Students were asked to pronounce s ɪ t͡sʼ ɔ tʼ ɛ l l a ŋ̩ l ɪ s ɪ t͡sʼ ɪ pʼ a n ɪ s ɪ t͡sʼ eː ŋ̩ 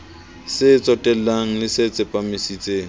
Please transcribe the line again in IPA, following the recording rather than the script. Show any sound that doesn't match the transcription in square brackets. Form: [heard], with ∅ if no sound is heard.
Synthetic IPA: s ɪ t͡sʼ ɔ tʼ ɛ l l a ŋ̩ l ɪ s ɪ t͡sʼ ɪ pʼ a [m] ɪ s [i] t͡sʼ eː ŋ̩